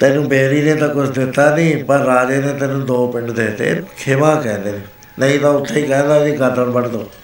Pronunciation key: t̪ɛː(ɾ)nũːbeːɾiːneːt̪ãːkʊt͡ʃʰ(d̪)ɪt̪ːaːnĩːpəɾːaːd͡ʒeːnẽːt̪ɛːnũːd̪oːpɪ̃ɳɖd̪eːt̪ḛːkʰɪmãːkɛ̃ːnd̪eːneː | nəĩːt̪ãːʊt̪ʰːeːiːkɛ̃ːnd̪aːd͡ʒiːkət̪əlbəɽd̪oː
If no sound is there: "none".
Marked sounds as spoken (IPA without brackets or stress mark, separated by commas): none, d̪